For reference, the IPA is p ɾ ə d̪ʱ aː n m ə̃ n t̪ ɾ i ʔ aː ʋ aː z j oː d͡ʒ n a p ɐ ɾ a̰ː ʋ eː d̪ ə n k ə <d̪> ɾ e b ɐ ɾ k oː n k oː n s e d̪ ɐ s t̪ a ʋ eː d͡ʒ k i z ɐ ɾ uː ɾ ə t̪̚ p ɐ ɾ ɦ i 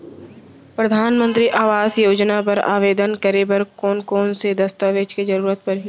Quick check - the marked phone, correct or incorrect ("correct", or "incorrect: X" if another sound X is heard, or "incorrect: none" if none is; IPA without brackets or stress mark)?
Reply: incorrect: none